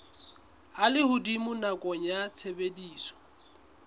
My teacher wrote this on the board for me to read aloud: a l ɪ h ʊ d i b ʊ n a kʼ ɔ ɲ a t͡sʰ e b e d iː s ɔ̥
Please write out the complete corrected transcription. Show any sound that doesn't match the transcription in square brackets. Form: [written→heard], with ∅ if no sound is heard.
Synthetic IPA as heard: a l ɪ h ʊ d i [b→m] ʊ n a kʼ ɔ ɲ a t͡sʰ e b e d iː s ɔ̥